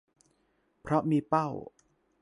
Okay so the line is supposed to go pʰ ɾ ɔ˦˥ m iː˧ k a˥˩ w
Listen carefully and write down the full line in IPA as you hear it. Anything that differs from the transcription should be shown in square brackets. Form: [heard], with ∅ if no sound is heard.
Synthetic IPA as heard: pʰ ɾ ɔ˦˥ m iː˧ [p] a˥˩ w